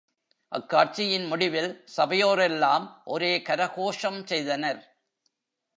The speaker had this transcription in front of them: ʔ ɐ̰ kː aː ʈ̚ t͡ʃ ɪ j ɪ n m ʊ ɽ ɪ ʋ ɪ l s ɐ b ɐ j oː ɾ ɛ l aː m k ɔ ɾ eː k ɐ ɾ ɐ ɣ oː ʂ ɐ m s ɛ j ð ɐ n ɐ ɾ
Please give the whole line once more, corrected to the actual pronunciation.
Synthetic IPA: ʔ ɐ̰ kː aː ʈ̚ t͡ʃ ɪ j ɪ n m ʊ ɽ ɪ ʋ ɪ l s ɐ b ɐ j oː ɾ ɛ lː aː m ʔ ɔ ɾ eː k ɐ ɾ ɐ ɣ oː ʂ ɐ m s ɛ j ð ɐ n ɐ ɾ